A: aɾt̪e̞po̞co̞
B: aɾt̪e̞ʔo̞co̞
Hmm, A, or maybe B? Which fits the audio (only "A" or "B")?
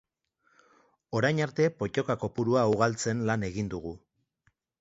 A